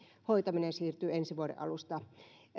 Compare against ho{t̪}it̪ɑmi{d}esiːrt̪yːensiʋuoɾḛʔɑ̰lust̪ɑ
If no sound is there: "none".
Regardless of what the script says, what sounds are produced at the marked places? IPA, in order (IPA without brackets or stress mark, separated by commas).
none, n